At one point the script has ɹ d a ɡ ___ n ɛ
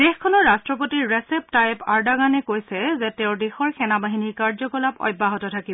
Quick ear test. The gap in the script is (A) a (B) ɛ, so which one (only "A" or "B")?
A